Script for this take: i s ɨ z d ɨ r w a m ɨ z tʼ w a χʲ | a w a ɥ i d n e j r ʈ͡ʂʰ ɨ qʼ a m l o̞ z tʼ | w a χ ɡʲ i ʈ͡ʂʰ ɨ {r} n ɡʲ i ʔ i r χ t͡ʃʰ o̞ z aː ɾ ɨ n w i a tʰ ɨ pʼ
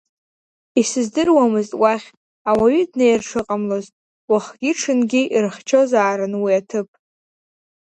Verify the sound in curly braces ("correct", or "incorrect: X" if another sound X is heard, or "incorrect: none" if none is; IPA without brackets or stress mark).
incorrect: none